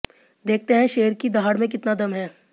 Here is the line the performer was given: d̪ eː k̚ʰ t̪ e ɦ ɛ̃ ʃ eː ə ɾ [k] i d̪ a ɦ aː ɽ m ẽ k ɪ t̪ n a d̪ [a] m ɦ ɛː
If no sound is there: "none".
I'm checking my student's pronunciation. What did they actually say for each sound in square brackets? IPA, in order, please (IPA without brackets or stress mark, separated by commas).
k, ɐ